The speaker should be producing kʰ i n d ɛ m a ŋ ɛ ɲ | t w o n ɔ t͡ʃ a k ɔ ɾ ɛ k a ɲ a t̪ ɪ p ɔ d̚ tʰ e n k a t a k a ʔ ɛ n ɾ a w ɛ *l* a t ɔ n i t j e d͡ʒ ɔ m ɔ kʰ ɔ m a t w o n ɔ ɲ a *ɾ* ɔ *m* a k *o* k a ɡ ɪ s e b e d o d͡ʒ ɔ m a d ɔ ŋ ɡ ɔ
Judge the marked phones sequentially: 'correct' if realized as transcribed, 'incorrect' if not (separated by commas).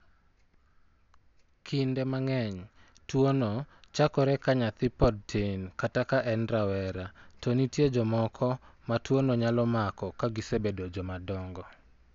incorrect, incorrect, correct, incorrect